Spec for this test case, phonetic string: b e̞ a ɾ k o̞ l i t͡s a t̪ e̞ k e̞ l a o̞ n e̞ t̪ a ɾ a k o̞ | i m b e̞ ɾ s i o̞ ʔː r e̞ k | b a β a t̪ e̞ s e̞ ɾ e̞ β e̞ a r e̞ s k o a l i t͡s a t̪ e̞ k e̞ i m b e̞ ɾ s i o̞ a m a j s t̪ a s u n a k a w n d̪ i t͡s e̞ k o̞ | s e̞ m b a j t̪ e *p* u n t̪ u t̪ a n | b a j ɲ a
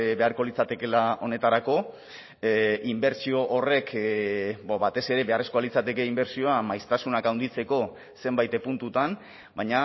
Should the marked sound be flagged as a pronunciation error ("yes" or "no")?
no